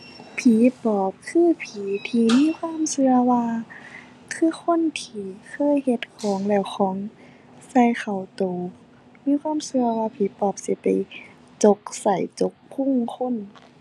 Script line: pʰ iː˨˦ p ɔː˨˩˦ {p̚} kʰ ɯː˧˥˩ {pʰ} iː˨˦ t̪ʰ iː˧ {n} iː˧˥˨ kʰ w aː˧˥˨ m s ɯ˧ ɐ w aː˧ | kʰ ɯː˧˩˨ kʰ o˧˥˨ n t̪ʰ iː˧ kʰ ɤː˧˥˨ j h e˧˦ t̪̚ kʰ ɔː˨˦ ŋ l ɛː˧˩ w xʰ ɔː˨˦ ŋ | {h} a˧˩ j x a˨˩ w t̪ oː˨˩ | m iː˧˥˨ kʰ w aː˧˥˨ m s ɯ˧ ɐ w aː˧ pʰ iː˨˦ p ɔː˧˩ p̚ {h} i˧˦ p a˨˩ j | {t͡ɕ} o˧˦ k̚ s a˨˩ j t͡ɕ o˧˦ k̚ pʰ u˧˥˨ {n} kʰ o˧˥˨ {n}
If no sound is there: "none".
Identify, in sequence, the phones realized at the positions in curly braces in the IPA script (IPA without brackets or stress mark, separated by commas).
p̚, pʰ, m, s, s, t͡ɕ, ŋ, n